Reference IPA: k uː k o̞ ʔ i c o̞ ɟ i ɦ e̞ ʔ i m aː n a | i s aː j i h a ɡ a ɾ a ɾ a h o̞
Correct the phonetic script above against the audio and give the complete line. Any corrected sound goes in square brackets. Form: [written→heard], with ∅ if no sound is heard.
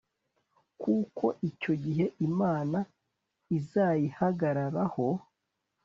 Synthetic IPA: k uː k o̞ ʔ i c o̞ ɟ i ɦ e̞ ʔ i m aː n a | i [s→z] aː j i h a ɡ a ɾ a ɾ a h o̞